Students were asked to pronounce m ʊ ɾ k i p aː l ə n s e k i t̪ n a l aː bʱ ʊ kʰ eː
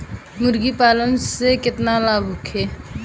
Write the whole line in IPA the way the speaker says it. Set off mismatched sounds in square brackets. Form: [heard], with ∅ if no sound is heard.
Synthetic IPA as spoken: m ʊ ɾ [ɡ] i p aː l ə n s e k [ɪ] t̪ n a l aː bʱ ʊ kʰ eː

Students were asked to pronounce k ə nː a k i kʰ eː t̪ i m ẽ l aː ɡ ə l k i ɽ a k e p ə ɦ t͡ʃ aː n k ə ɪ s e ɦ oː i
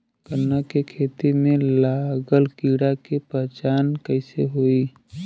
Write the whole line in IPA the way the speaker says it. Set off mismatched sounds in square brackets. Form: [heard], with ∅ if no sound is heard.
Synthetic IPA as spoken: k ə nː a k [e] kʰ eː t̪ i m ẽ l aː ɡ ə l k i ɽ a k e p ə ɦ t͡ʃ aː n k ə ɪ s e ɦ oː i

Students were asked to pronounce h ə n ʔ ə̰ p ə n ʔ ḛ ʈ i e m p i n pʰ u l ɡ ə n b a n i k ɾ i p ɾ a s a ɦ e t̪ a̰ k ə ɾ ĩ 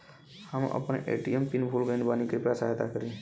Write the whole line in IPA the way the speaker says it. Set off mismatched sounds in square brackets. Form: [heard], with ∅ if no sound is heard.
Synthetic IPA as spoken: h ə [m] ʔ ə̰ p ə n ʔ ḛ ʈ i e m p i n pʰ u l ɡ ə n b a n i k ɾ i p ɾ a s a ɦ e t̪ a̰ k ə ɾ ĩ

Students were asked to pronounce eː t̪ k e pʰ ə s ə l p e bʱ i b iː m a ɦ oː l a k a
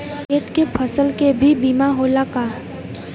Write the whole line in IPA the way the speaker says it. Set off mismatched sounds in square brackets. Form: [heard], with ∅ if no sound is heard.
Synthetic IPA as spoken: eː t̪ k e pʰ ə s ə l [k] e bʱ i b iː m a ɦ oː l a k a

